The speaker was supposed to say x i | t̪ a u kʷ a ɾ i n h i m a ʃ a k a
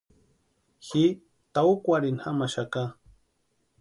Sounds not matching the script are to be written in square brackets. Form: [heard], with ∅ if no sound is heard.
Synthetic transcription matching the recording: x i | t̪ a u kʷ a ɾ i n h [a] m a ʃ a k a